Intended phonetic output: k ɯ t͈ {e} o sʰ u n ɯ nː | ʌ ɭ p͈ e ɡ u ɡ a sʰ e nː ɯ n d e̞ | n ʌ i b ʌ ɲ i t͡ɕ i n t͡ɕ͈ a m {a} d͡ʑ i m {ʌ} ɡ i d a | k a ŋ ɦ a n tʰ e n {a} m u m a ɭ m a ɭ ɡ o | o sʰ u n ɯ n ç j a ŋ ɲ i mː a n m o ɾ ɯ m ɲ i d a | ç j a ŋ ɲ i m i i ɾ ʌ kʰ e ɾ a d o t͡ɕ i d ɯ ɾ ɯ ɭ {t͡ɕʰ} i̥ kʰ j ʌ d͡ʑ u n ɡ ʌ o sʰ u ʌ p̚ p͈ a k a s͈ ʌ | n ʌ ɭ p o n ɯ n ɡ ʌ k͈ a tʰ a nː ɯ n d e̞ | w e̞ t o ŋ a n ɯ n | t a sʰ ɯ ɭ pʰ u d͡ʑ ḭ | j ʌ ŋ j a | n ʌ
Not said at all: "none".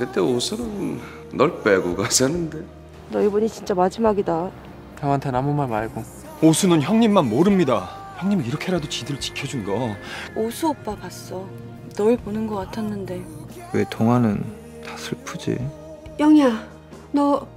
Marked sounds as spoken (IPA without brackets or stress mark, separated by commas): e, a, a, a, t͡ɕ